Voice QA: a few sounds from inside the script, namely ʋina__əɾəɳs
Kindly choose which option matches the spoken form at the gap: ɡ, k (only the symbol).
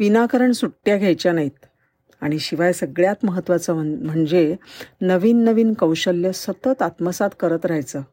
k